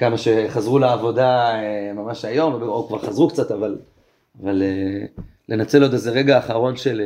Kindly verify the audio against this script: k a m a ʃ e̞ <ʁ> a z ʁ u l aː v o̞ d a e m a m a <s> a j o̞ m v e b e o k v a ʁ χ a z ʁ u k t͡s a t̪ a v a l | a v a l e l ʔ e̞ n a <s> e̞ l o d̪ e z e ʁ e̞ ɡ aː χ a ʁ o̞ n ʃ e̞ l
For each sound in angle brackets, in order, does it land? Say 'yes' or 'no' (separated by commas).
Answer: no, no, no